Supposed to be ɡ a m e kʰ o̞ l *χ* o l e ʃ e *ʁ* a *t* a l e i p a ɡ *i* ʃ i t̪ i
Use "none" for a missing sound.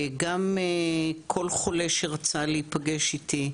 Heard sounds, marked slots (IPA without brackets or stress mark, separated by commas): χ, ʁ, t͡s, e